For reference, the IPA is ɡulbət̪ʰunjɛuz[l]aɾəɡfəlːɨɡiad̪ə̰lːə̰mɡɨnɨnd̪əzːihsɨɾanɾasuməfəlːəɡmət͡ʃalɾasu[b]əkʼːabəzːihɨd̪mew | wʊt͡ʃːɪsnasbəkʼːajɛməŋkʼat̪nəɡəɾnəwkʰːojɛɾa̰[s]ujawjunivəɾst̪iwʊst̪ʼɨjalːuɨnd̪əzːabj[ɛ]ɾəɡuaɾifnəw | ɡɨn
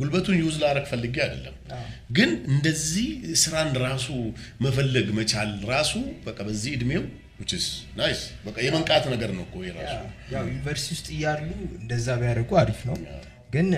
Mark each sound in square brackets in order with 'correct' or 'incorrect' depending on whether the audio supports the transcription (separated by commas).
correct, correct, correct, incorrect